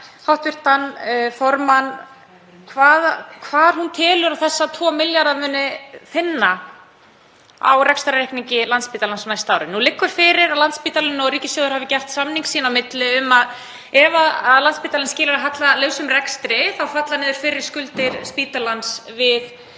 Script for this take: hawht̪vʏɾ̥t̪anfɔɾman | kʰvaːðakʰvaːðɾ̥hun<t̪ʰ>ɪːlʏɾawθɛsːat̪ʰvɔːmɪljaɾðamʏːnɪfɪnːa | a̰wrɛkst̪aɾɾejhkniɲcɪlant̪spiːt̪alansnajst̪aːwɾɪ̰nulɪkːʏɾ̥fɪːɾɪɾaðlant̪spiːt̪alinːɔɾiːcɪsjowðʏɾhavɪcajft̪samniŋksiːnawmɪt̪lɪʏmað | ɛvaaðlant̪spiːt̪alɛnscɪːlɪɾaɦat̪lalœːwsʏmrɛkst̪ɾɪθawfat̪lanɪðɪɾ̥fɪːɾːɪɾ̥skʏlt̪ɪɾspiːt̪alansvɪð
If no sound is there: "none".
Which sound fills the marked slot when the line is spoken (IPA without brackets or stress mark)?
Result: t̪ʰ